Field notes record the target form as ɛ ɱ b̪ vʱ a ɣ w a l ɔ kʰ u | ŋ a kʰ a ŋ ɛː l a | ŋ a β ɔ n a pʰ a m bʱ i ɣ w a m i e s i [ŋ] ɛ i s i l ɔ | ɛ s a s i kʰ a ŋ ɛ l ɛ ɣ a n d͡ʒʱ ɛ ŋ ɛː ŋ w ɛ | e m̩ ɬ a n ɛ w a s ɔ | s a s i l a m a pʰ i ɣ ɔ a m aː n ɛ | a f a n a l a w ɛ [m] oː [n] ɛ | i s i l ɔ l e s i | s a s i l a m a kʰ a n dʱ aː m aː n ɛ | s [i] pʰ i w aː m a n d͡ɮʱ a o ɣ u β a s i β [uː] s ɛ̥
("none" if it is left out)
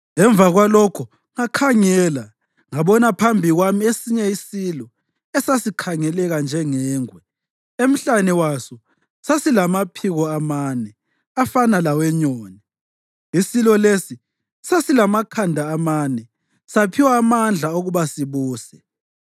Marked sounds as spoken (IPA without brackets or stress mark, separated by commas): ɲ, ɲ, n, a, uː